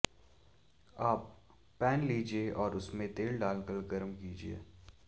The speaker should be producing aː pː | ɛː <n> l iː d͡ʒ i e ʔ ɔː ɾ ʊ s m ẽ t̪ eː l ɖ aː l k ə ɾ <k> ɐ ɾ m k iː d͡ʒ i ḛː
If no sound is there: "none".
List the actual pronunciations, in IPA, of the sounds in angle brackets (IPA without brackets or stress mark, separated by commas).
n, ɡ